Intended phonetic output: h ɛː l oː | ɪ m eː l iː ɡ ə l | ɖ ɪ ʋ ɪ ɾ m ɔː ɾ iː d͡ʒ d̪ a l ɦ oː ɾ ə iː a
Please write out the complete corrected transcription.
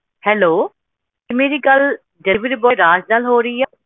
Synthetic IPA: h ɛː l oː | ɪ m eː ɾ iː ɡ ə l | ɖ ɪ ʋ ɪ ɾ b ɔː ɾ aː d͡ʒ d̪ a l ɦ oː ɾ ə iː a